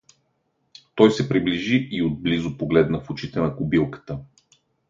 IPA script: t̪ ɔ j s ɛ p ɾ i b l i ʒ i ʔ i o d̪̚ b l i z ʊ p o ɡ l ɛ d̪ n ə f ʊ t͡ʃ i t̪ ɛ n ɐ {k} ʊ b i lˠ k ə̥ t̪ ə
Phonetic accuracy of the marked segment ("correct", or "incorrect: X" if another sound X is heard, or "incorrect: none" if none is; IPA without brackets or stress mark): correct